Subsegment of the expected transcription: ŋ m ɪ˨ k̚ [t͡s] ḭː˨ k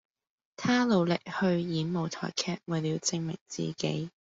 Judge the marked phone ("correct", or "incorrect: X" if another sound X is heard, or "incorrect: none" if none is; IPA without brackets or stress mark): correct